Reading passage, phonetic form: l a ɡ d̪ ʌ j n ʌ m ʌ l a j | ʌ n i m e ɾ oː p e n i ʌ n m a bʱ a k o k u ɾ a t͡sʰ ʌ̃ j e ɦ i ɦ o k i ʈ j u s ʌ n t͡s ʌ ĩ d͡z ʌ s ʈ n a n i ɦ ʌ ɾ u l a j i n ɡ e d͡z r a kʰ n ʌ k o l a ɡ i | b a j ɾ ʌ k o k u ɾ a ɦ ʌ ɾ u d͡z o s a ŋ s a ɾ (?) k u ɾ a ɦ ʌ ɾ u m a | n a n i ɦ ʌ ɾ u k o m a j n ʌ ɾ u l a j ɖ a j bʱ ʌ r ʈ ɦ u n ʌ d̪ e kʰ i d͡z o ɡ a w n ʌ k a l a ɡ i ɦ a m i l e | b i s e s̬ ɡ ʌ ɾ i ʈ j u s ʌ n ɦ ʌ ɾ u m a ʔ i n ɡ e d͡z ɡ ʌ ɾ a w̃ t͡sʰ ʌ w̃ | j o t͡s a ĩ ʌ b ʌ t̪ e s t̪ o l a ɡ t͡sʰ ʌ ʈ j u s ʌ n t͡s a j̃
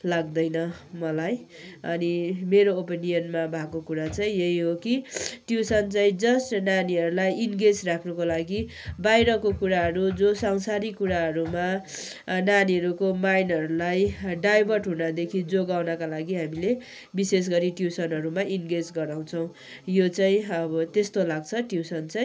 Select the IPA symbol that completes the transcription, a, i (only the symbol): i